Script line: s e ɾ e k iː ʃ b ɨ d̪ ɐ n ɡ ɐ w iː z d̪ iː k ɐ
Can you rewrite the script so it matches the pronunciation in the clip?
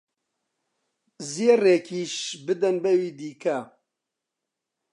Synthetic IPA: z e r e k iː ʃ b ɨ d̪ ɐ n b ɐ w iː d̪ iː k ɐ